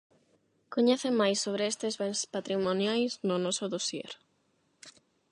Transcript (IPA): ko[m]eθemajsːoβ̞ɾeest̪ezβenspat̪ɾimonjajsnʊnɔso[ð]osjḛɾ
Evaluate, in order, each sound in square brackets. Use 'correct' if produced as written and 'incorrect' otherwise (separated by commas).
incorrect, correct